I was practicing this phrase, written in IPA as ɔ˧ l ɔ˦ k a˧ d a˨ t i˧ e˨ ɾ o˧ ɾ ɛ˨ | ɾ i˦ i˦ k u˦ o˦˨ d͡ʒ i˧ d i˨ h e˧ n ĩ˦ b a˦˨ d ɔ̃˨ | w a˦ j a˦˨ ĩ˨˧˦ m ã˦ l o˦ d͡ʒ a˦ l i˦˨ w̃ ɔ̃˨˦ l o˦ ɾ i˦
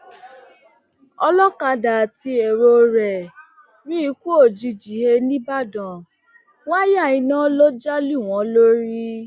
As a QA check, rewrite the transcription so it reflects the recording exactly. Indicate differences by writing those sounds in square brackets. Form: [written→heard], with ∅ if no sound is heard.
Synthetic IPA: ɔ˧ l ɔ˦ k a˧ d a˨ t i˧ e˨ ɾ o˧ ɾ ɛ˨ | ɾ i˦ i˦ k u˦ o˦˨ d͡ʒ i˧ [d→d͡ʒ] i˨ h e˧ n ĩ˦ b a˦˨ d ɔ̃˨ | w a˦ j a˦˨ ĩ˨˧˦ [m→n] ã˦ l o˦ d͡ʒ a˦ l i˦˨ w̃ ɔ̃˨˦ l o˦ ɾ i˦